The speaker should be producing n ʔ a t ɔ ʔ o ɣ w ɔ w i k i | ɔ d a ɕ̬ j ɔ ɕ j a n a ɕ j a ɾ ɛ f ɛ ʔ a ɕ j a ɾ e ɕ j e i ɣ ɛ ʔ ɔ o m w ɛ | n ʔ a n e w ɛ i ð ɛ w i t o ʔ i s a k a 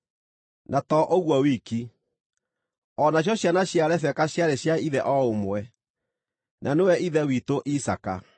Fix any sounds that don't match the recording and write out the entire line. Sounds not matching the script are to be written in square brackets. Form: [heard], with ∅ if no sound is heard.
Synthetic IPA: n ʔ a t ɔ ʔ o ɣ w ɔ w i k i | ɔ [n] a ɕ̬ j ɔ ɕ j a n a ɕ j a ɾ ɛ f ɛ [k] a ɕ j a ɾ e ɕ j [a] i [ð] ɛ ʔ ɔ o m w ɛ | n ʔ a n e w ɛ i ð ɛ w i t o ʔ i s a k a